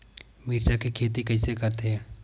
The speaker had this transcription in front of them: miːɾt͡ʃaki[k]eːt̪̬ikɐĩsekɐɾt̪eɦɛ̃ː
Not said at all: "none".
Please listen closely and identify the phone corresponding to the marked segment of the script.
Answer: kʰ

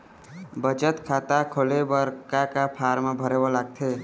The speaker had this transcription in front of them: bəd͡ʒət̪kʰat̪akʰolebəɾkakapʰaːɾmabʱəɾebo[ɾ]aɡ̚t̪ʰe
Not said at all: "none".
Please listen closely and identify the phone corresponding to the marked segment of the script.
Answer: l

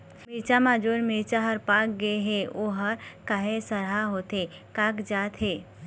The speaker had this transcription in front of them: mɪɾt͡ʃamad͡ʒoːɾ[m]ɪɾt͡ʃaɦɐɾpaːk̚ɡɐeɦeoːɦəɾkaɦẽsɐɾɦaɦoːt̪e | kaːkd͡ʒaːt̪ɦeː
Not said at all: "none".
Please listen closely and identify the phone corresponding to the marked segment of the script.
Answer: m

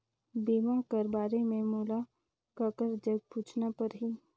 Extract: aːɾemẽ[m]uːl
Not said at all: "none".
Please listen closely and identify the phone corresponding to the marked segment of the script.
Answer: m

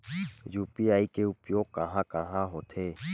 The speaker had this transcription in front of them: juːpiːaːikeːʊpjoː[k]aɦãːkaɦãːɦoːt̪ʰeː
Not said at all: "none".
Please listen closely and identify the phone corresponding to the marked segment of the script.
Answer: k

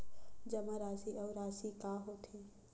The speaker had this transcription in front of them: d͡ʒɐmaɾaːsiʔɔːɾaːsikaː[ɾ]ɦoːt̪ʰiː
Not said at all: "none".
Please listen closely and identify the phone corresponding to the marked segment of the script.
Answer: none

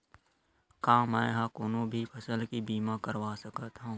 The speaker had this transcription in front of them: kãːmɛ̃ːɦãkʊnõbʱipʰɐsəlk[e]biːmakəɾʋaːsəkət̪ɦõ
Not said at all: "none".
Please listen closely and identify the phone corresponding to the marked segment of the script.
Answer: i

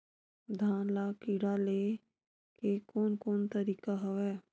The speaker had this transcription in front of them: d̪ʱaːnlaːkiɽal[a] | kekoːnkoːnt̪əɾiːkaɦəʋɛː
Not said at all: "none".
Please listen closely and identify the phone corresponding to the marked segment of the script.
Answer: e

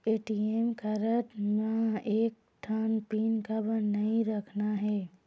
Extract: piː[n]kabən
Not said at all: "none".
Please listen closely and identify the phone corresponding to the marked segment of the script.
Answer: n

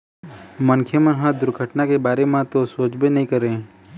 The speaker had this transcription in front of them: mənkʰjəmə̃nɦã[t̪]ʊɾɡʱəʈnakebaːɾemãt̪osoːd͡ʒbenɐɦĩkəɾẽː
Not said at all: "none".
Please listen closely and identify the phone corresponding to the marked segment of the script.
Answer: d̪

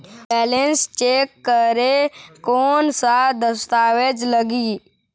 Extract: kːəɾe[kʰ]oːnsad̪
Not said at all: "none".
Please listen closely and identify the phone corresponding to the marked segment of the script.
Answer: k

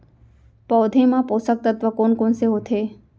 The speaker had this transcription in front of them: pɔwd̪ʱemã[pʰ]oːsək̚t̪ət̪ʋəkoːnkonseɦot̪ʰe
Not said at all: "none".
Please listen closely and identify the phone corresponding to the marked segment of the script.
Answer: p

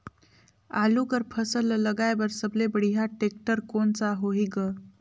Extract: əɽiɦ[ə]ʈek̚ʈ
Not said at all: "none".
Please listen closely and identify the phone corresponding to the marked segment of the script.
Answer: a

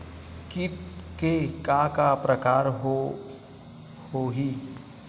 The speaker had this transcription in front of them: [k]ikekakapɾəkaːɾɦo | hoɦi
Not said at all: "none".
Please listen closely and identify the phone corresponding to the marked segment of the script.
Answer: k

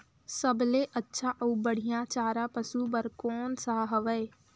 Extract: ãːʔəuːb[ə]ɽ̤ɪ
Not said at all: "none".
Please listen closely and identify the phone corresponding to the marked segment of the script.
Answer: ə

